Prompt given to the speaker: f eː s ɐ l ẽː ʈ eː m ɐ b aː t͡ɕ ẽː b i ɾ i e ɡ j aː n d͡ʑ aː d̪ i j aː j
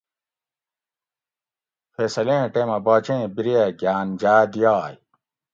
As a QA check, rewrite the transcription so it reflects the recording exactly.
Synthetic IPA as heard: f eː s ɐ l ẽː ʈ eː m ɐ b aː t͡ɕ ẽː b i ɾ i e ɡ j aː n d͡ʑ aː d̪ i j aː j